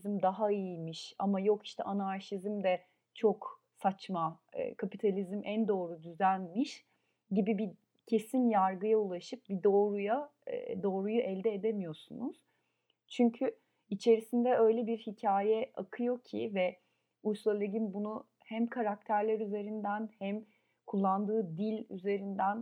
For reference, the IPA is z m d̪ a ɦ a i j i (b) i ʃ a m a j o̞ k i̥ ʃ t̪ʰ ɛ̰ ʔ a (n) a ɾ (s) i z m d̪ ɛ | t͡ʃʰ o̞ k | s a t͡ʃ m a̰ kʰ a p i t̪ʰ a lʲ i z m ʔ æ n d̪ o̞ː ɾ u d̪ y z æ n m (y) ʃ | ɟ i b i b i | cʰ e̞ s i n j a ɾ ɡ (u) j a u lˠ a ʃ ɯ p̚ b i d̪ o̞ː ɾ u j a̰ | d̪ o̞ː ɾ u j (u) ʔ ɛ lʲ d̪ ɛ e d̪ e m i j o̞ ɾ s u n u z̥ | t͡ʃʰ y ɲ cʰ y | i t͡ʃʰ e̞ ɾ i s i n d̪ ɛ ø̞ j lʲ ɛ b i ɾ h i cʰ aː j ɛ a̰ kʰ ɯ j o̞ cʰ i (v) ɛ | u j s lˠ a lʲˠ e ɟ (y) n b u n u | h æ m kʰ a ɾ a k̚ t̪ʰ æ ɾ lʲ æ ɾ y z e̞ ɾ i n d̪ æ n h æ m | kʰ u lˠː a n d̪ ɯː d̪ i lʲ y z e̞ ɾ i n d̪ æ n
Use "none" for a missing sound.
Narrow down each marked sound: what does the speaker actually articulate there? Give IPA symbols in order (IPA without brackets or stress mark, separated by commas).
m, n, ʃ, i, ɯ, u, v, i